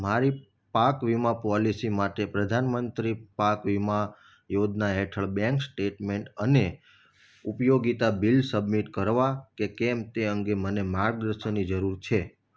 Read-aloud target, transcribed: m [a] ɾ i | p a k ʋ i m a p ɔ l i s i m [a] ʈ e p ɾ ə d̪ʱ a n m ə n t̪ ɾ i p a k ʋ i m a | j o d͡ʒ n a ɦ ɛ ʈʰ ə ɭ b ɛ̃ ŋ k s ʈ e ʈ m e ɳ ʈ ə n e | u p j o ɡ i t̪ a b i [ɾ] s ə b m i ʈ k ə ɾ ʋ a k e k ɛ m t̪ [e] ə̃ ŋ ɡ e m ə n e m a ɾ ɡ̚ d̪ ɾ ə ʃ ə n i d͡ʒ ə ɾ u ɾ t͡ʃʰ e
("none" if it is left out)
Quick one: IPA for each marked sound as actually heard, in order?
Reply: a, a, l, e

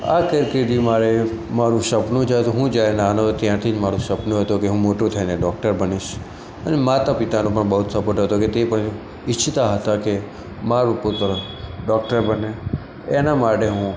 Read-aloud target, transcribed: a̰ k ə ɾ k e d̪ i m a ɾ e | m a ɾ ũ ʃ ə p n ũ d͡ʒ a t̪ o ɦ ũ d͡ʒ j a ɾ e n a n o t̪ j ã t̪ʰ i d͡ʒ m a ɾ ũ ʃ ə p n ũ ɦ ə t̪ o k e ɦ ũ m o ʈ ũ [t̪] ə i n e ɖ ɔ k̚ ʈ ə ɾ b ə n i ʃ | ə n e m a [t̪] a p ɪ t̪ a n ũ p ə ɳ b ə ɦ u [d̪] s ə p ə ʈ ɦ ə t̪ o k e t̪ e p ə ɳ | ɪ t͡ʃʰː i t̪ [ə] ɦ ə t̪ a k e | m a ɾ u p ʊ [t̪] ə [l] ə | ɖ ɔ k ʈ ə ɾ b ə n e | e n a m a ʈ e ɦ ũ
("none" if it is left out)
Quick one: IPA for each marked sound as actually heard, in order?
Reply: t̪ʰ, t̪, t̪, a, t̪, ɾ

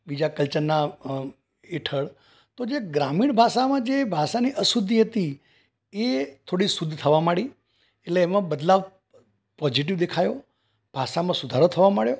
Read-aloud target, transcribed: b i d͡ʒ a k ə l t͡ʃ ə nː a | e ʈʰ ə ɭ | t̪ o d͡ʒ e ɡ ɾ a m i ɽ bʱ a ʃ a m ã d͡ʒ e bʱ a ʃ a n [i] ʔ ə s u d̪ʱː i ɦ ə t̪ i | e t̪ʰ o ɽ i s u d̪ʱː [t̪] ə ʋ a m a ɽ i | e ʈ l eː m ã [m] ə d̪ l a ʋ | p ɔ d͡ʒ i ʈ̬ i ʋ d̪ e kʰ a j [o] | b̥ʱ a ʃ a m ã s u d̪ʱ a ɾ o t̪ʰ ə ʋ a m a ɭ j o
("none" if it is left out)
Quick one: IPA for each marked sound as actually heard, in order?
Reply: i, t̪ʰ, b, o

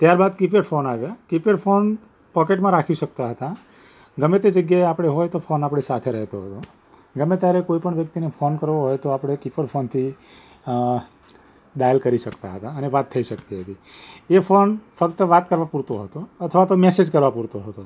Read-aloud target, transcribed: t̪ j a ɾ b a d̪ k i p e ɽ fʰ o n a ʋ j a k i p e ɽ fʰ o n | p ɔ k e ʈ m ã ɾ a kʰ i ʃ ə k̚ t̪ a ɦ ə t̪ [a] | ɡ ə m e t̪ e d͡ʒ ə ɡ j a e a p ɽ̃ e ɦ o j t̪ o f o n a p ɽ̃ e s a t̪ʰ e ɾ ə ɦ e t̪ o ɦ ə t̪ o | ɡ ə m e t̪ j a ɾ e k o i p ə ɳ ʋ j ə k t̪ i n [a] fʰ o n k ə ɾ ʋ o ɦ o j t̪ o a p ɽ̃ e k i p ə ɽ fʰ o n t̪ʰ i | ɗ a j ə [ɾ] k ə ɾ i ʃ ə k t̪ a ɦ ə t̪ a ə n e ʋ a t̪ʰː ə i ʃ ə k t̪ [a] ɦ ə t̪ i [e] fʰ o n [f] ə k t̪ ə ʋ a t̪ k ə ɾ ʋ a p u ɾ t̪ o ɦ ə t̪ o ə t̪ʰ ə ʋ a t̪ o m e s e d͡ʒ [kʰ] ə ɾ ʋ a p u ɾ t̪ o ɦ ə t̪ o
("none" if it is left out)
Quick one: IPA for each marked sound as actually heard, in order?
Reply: a, e, l, i, e, f, k

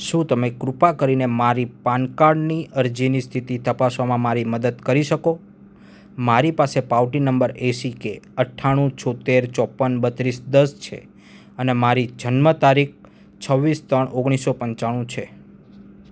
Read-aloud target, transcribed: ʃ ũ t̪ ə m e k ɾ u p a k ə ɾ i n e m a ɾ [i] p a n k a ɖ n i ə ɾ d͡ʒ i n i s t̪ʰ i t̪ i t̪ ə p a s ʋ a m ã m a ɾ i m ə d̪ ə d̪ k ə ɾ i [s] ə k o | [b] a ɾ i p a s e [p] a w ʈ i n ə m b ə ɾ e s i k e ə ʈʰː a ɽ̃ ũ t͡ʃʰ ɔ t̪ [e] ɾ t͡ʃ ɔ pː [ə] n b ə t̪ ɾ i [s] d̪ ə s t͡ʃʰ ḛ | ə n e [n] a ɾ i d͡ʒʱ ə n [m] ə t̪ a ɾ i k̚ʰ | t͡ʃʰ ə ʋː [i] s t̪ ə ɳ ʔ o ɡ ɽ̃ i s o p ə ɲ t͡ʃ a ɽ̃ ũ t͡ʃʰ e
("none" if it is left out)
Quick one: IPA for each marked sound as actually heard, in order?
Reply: i, ʃ, m, p, e, ə, s, m, m, i

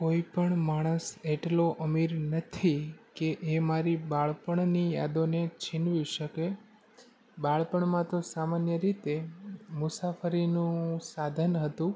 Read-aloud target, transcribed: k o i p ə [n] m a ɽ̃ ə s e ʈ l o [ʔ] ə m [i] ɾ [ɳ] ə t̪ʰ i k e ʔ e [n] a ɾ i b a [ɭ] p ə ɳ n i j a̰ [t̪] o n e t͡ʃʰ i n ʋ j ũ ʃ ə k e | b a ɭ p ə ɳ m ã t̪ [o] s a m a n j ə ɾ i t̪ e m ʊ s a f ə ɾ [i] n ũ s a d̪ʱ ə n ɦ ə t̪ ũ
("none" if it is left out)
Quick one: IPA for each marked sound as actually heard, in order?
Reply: ɳ, ʔ, i, n, m, ɭ, d̪, o, i

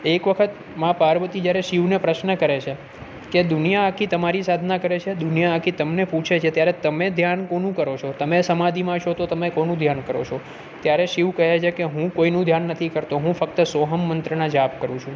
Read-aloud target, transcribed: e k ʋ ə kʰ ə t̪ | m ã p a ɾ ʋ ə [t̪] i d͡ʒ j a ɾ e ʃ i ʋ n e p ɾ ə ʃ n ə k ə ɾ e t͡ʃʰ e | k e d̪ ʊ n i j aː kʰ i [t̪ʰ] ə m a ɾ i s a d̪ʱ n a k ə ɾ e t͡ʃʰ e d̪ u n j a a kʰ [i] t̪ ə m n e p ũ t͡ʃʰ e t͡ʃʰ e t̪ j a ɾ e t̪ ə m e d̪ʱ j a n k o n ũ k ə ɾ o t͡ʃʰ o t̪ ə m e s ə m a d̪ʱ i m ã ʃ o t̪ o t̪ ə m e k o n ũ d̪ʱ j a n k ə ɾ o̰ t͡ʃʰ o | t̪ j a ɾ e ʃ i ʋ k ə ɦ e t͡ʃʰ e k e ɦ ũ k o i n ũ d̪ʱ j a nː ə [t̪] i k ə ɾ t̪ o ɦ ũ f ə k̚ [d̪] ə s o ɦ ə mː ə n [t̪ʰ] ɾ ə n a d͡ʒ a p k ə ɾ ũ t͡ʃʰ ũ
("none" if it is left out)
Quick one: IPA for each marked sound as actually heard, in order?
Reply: t̪, t̪, i, t̪ʰ, t̪, t̪

